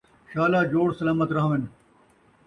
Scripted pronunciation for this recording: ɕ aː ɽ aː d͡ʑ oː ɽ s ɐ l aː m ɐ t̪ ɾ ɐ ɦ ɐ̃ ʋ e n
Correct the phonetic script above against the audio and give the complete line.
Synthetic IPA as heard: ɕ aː l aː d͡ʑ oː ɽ s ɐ l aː m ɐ t̪ ɾ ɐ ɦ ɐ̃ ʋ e n